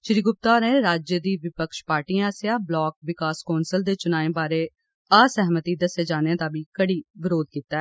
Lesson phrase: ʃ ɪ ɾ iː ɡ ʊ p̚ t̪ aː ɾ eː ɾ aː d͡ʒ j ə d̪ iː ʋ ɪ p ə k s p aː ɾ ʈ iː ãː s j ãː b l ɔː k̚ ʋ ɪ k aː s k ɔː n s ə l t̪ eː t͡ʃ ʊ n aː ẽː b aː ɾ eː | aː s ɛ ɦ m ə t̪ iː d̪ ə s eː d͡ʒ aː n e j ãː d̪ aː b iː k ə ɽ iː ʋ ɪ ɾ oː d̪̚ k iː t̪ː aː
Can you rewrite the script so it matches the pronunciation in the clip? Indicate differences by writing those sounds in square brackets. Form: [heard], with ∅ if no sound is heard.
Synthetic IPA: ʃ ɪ ɾ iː ɡ ʊ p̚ t̪ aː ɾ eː ɾ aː d͡ʒ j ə d̪ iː ʋ ɪ p ə k [ʃ] p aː ɾ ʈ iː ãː s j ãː b l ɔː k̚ ʋ ɪ k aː s k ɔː n s ə l [d̪] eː t͡ʃ ʊ n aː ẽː b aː ɾ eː | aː s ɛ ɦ m ə t̪ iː d̪ ə s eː d͡ʒ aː n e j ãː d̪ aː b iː k ə ɽ iː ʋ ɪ ɾ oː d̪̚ k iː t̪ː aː

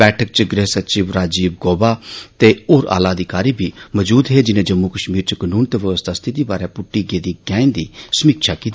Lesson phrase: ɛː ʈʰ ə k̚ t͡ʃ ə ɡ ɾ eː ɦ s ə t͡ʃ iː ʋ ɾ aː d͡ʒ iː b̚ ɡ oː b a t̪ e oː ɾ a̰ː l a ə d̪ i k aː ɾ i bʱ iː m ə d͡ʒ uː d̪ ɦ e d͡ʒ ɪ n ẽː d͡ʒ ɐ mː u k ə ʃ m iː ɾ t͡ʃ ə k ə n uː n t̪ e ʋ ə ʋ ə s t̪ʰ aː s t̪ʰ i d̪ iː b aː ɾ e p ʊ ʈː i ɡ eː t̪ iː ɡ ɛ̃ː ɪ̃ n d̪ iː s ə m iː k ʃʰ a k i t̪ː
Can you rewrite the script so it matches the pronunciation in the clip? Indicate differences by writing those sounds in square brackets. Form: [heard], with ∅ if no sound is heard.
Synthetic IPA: ɛː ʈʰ ə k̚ t͡ʃ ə ɡ ɾ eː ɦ s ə t͡ʃ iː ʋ ɾ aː d͡ʒ iː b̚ ɡ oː b a t̪ e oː ɾ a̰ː l a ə d̪ i k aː ɾ i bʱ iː m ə d͡ʒ uː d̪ ɦ e d͡ʒ ɪ n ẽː d͡ʒ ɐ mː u k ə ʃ m iː ɾ t͡ʃ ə k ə n uː n t̪ e ʋ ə ʋ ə s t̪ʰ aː s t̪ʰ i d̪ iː b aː ɾ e p ʊ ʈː i ɡ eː [d̪] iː ɡ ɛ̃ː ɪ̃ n d̪ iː s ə m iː k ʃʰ a k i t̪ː

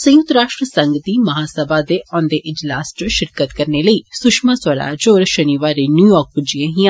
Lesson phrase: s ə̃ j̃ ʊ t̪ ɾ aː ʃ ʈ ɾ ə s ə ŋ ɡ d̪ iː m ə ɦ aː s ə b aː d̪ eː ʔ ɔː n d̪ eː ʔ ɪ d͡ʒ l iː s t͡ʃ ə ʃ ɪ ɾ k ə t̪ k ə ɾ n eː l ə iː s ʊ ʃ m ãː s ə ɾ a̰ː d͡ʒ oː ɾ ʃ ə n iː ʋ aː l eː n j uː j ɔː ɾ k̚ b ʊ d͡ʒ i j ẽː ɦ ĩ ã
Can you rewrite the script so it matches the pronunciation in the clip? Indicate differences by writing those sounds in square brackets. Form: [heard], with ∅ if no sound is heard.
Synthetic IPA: s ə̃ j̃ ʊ t̪ ɾ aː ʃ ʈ ɾ ə s ə ŋ ɡ d̪ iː m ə ɦ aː s ə b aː d̪ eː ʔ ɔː n d̪ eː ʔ ɪ d͡ʒ l [aː] s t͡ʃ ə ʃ ɪ ɾ k ə t̪ k ə ɾ n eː l ə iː s ʊ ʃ m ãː s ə ɾ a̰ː d͡ʒ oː ɾ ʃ ə n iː ʋ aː [ɾ] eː n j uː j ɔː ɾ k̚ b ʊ d͡ʒ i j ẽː ɦ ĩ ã

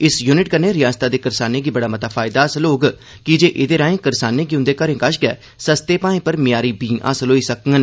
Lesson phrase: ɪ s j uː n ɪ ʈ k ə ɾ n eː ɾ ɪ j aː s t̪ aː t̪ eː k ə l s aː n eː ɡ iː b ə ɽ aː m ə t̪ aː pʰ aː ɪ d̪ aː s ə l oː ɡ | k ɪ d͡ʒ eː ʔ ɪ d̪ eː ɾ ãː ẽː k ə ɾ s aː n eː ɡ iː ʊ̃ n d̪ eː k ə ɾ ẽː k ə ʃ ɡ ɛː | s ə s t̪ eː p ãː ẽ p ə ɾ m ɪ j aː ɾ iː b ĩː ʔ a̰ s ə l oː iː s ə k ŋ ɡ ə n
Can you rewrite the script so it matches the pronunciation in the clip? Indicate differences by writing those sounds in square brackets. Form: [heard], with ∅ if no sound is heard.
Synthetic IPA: ɪ s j uː n ɪ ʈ k ə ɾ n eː ɾ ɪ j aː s t̪ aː [d̪] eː k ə [ɾ] s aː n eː ɡ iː b ə ɽ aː m ə t̪ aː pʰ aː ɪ d̪ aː s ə l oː ɡ | k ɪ d͡ʒ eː ʔ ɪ d̪ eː ɾ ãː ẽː k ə ɾ s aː n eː ɡ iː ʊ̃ n d̪ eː k ə ɾ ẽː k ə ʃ ɡ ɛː | s ə s t̪ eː p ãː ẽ p ə ɾ m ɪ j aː ɾ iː b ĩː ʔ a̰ s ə l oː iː s ə k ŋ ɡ ə n

